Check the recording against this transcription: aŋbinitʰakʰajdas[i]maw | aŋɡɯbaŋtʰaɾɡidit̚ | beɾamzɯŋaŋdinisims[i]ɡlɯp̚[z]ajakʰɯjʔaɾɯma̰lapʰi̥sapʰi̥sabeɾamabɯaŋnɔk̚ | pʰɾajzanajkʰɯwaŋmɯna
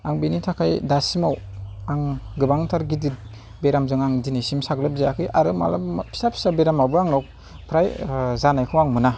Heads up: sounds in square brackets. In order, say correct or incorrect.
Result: correct, incorrect: a, correct

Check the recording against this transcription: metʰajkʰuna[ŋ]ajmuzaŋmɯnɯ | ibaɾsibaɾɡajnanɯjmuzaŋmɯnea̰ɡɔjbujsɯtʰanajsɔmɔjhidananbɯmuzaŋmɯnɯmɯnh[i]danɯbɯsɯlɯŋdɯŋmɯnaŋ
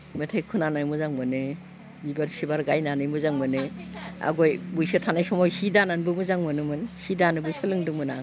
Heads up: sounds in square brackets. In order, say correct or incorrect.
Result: incorrect: n, correct

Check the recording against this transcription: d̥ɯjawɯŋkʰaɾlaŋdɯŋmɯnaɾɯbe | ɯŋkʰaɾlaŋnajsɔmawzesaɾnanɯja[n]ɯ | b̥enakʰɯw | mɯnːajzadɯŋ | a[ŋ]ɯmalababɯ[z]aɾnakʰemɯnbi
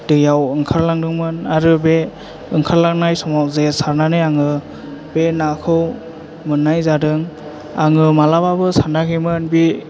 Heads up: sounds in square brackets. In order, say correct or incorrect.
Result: incorrect: ŋ, correct, incorrect: s

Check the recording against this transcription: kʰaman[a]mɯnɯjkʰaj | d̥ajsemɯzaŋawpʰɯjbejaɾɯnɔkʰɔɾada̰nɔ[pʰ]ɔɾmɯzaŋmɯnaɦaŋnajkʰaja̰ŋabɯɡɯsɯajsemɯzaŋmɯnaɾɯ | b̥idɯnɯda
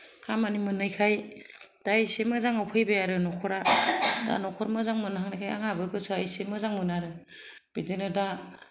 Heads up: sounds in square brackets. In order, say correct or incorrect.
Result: incorrect: i, incorrect: kʰ

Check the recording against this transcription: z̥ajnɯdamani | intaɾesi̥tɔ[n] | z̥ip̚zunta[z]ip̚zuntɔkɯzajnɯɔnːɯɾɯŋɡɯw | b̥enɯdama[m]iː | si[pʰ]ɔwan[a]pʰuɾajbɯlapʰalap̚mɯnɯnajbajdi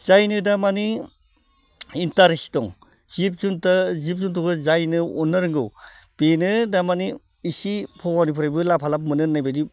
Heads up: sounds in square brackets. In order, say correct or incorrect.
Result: incorrect: ŋ, correct, incorrect: n, correct, incorrect: i

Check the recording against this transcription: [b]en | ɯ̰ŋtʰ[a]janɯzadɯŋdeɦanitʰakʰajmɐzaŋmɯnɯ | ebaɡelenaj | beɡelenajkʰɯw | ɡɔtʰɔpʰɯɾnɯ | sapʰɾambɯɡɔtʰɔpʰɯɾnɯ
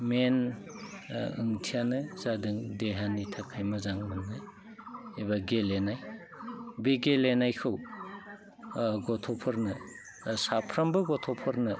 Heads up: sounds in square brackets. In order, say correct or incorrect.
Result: incorrect: m, incorrect: i

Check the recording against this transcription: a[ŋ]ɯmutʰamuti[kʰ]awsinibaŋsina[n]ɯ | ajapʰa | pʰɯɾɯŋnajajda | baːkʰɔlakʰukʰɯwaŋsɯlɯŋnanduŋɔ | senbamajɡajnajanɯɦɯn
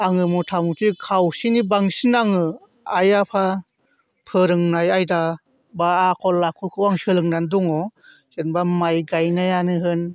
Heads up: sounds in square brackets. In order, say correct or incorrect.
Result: correct, correct, incorrect: ŋ

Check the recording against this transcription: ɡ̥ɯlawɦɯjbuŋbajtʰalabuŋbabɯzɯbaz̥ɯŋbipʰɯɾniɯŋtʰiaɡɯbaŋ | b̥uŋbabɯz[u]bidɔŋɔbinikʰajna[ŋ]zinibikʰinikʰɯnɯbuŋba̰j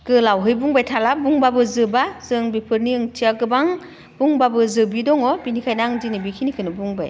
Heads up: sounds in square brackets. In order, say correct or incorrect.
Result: incorrect: ɯ, correct

